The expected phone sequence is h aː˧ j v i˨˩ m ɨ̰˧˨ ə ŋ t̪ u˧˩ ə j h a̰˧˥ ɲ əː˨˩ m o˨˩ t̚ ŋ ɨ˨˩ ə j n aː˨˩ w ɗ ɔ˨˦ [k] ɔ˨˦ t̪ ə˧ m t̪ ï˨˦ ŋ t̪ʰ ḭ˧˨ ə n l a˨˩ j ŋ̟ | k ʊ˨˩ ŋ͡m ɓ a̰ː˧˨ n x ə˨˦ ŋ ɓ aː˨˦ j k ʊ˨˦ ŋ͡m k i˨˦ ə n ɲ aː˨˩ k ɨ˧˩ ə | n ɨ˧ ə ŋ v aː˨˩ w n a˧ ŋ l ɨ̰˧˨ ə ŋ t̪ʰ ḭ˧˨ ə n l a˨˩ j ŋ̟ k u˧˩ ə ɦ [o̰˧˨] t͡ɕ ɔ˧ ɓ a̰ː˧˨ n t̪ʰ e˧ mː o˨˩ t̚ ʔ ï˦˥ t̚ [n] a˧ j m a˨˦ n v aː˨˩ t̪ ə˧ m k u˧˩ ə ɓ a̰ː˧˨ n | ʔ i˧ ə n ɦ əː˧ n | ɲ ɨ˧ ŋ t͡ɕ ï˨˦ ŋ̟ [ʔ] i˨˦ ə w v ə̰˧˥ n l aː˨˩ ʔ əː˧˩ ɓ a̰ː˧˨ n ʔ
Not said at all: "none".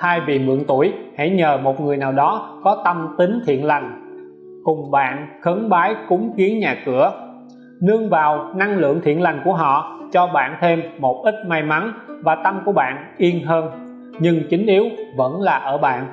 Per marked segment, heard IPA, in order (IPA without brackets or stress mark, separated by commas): k, ɔ̰˧˨, m, ʔ